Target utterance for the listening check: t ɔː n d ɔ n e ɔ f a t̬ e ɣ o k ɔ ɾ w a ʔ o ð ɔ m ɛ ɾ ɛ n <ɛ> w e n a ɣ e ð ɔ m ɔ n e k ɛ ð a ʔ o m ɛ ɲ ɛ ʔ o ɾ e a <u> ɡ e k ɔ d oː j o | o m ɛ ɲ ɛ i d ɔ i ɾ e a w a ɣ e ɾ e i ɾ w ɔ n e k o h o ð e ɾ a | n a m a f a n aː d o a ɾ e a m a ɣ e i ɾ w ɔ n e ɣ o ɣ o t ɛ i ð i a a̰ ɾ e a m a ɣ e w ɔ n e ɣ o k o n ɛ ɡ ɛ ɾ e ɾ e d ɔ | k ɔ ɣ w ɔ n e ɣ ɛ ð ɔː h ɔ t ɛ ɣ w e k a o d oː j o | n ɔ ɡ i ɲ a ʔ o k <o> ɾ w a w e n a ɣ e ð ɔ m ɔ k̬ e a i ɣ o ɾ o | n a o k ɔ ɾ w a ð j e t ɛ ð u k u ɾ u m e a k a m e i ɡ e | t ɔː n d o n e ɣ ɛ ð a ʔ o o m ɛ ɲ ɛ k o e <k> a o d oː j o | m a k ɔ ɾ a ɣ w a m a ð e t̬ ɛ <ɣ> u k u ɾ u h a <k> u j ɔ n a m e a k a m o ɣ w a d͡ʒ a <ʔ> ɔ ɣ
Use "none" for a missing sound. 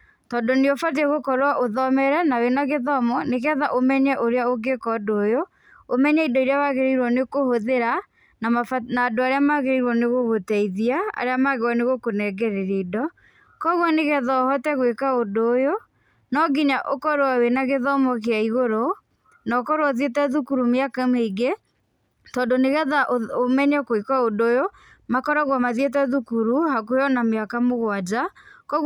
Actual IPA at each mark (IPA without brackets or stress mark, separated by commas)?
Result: a, o, ɔ, k, ð, k, k